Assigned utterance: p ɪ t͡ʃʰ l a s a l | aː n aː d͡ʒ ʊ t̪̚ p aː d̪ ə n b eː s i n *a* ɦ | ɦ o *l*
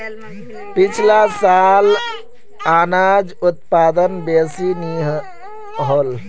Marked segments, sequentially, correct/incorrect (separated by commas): incorrect, correct